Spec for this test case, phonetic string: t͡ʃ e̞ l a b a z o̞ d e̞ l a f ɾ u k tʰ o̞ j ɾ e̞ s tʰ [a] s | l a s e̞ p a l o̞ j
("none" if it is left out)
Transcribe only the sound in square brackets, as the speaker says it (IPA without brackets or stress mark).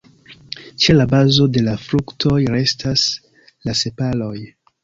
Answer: a